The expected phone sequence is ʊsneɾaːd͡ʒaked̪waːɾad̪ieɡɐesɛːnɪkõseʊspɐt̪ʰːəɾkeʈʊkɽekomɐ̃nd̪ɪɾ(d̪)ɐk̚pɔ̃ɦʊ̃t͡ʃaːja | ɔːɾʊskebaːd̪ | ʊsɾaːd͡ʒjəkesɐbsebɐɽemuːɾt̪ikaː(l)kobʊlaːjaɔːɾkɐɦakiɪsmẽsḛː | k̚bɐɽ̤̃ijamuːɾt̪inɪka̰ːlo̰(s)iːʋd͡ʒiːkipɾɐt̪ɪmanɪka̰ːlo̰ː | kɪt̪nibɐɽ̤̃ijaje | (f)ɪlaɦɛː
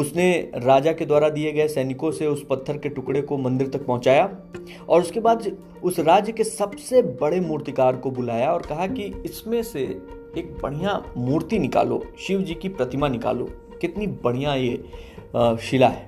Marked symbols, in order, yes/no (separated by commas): no, no, no, no